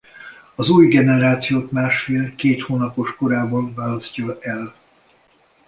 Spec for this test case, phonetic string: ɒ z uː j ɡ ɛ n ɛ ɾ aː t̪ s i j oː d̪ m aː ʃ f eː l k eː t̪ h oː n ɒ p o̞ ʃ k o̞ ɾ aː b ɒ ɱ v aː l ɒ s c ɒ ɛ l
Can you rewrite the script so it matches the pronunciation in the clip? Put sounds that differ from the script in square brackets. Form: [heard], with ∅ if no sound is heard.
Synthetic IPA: ɒ z uː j ɡ ɛ n ɛ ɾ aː t̪ s i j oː [t̪] m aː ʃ f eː l k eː t̪ h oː n ɒ p o̞ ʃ k o̞ ɾ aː b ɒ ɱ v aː l ɒ s c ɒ ɛ l